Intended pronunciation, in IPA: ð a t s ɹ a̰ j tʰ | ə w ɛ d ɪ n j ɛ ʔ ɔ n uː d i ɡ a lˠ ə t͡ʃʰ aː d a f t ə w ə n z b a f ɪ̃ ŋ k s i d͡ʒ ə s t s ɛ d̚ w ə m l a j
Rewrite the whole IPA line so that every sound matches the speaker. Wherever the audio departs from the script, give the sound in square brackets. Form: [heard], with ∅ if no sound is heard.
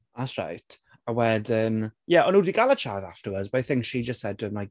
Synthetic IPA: ð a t s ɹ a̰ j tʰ | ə w ɛ d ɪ n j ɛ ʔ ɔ n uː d i ɡ a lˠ ə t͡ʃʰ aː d a f t ə w ə [d] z b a [θ] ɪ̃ ŋ k [ʃ] i d͡ʒ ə s t s ɛ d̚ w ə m l a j